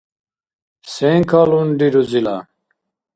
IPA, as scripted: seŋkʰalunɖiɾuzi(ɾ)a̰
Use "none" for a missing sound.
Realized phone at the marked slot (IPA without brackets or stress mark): l